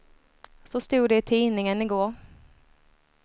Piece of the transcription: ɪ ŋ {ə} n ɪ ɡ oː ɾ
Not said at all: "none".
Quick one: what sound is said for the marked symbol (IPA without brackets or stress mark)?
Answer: ə